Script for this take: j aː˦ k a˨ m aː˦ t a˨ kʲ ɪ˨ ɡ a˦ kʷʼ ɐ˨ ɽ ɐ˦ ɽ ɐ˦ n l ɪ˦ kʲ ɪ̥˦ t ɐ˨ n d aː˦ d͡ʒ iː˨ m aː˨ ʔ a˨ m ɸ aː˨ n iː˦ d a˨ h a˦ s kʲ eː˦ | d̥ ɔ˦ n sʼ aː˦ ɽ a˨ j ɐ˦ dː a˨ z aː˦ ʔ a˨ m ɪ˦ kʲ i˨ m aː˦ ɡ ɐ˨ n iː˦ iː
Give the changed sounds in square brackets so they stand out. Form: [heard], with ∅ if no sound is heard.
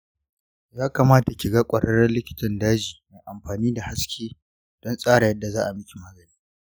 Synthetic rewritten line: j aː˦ k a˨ m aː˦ t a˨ kʲ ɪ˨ ɡ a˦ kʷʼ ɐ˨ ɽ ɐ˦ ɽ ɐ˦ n l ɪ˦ kʲ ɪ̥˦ t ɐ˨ n d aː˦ d͡ʒ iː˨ m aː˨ ʔ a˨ m ɸ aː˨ n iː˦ d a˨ h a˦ s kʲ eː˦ | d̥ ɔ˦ n sʼ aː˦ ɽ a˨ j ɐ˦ dː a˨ z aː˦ ʔ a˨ m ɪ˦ kʲ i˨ m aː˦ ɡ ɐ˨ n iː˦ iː